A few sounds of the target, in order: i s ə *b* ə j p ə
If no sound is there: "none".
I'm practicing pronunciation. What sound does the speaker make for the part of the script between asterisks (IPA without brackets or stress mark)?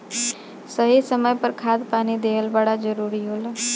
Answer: m